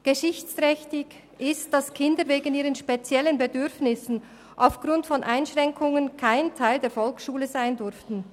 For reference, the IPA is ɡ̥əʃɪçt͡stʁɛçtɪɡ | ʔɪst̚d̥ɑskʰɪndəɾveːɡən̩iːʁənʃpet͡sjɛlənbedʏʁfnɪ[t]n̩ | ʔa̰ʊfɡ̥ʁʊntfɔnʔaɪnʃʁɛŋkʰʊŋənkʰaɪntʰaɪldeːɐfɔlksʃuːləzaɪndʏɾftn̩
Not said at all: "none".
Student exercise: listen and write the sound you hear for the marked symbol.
s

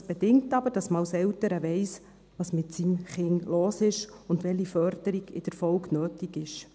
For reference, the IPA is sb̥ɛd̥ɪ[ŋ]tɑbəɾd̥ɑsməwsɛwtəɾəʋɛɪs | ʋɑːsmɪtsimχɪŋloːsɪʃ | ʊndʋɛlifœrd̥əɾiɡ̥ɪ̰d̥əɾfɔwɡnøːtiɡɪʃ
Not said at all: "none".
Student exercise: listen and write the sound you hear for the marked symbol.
ŋ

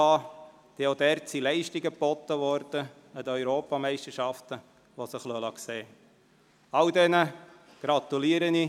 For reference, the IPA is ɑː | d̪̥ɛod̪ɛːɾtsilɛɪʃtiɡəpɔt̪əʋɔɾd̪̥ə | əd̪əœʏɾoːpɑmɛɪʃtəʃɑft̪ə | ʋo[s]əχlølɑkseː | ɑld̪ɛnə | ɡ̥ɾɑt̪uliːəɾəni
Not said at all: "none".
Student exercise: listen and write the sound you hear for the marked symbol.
s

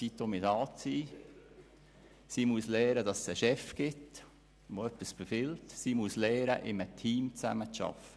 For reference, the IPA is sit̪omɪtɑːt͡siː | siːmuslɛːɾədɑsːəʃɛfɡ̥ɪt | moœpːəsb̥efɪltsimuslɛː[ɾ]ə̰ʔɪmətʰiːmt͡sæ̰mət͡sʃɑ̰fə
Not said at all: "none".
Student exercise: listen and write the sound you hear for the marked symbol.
ɾ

